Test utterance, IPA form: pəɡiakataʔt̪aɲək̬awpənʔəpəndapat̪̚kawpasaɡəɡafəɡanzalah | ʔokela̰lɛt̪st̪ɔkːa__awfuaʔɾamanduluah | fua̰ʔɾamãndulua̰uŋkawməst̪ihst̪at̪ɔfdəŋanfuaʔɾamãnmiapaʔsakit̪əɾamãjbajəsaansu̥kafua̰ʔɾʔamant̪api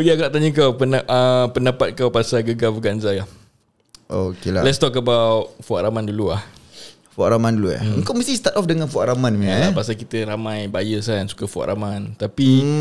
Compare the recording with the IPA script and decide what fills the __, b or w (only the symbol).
b